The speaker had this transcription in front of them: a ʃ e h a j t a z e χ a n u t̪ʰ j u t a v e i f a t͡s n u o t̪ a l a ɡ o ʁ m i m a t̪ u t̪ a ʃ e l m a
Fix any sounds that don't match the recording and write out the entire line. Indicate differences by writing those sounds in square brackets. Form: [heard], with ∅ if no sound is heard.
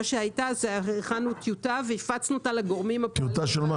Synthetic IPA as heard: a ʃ e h a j t a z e χ a n u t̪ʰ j u t a v e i f a t͡s n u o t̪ a l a ɡ o ʁ m i m a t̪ u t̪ a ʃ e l m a